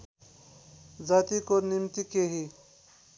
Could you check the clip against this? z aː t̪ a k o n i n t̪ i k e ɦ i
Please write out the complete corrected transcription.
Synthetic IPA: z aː t̪ i k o n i m t̪ i k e ɦ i